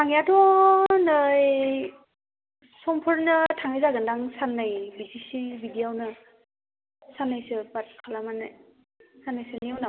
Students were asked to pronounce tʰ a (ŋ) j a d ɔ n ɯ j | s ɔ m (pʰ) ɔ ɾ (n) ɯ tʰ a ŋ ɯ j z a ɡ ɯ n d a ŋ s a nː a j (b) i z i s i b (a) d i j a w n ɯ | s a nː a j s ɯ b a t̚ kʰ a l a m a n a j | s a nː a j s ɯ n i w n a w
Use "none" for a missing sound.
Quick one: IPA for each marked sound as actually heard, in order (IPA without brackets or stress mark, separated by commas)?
ŋ, pʰ, n, b, i